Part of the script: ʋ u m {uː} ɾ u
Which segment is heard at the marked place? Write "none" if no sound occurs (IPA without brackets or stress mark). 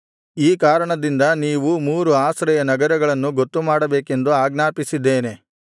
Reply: uː